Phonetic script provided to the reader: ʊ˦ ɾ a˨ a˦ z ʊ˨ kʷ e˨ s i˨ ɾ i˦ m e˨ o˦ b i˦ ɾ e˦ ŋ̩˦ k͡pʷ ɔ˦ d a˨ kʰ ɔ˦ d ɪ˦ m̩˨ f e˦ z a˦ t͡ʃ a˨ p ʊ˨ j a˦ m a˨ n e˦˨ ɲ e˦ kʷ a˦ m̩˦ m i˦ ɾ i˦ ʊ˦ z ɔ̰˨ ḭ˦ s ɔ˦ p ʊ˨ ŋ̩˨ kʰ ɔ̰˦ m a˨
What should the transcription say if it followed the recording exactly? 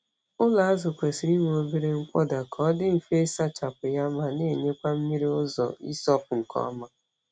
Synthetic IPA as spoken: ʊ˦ l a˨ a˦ z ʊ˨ kʷ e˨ s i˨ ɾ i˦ m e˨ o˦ b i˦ ɾ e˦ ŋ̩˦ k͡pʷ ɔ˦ d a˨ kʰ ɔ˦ d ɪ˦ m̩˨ f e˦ s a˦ t͡ʃ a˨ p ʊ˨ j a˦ m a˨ n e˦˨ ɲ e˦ kʷ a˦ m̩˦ m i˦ ɾ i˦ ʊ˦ z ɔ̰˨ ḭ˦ s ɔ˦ p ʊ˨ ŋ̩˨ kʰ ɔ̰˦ m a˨

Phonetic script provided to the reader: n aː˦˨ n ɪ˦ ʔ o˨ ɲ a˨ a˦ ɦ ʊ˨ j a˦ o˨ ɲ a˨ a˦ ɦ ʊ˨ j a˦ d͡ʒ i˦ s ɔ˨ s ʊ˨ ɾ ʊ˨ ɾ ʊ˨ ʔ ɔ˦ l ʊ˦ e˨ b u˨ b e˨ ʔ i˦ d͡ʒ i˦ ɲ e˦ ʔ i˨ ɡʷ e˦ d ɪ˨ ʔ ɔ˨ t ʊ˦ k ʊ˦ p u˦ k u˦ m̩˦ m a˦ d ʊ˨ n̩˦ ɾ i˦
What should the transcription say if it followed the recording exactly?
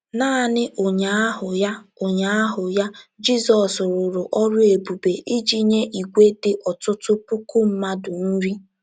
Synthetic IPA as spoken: n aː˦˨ n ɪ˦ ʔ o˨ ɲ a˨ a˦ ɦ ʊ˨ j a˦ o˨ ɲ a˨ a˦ ɦ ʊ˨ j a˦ d͡ʒ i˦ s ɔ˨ s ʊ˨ ɾ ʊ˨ ɾ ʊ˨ ʔ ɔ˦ ɾ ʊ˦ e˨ b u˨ b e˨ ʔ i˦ d͡ʒ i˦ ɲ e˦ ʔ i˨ ɡʷ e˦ d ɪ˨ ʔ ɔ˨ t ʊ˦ t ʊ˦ p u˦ k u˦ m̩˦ m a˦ d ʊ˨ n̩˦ ɾ i˦

